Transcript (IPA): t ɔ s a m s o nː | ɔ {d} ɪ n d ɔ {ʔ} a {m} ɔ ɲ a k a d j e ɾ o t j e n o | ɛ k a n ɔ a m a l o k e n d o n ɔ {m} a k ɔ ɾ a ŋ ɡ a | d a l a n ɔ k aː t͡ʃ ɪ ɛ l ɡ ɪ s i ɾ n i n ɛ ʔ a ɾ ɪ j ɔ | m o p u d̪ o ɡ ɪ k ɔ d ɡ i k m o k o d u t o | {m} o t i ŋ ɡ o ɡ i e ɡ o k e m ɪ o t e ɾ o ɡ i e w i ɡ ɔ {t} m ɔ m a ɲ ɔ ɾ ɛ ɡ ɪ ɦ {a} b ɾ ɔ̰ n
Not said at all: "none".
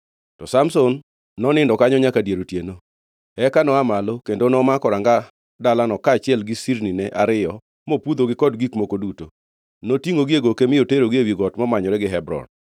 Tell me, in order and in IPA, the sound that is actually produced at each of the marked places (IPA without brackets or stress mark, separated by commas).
n, k, ɲ, m, n, t, ɛ